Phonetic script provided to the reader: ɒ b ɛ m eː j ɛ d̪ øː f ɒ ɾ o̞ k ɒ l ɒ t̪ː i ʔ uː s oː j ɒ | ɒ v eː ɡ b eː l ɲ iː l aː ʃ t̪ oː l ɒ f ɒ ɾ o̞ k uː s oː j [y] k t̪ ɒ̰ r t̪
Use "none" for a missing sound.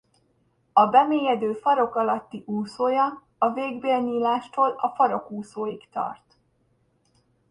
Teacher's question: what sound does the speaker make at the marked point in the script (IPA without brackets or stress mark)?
i